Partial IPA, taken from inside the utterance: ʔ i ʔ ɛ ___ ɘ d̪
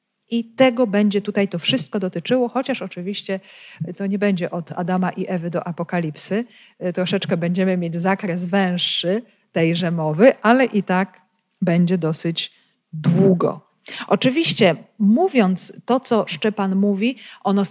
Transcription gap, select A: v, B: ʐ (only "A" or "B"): A